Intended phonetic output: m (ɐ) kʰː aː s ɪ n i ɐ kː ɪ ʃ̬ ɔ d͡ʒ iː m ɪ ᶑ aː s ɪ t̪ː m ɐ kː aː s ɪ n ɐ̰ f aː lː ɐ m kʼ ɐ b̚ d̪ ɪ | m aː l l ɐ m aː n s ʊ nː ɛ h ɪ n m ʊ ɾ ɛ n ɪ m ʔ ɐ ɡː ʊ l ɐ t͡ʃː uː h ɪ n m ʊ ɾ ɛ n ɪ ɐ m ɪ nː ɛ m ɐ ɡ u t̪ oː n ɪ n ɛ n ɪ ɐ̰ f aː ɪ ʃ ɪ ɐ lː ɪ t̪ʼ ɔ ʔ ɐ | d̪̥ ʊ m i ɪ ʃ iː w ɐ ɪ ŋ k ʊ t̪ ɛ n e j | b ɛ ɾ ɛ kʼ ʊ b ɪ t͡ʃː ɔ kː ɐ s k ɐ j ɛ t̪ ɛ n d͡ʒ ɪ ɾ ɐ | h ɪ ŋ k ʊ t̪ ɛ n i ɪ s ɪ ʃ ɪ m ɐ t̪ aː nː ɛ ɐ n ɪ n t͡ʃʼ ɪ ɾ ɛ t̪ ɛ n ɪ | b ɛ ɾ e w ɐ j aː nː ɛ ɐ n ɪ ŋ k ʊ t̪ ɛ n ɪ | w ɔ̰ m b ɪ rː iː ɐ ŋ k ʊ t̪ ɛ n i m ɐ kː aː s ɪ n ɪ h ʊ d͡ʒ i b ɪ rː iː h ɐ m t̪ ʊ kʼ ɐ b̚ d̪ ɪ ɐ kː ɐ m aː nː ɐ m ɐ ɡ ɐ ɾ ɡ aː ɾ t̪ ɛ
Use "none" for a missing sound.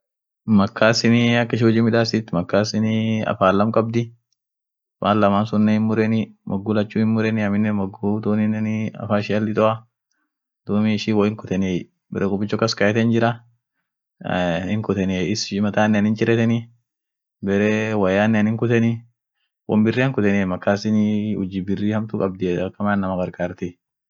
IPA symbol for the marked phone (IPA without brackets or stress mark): ɐ